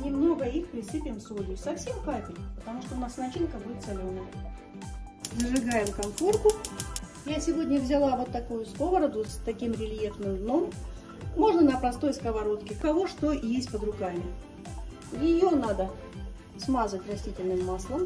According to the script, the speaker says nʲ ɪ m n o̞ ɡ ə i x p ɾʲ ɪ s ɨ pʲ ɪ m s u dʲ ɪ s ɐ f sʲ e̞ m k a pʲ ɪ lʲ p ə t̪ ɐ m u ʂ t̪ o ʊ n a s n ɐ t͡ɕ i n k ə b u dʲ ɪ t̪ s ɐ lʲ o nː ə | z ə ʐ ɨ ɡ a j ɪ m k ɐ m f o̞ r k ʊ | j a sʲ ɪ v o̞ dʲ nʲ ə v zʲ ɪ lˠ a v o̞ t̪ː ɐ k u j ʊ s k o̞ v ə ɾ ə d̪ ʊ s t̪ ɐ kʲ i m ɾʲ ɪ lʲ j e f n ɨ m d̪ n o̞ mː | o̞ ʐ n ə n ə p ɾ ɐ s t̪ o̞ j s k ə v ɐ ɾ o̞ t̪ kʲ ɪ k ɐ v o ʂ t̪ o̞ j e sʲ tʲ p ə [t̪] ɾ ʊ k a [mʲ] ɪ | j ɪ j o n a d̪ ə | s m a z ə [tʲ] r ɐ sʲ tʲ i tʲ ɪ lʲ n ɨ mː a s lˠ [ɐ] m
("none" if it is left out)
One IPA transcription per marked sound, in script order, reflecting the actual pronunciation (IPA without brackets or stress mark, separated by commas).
d̪, mʲ, tʲ, ə